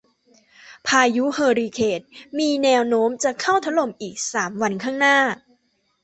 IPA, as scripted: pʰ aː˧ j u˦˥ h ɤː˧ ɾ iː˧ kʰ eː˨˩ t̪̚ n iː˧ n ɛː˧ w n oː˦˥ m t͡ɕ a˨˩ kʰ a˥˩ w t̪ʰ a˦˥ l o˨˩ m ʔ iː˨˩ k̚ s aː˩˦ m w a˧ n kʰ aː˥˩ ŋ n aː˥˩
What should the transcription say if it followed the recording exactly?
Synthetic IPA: pʰ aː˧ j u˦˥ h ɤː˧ ɾ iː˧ kʰ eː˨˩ t̪̚ m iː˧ n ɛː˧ w n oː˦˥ m t͡ɕ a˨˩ kʰ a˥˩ w t̪ʰ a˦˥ l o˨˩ m ʔ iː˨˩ k̚ s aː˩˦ m w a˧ n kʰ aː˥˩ ŋ n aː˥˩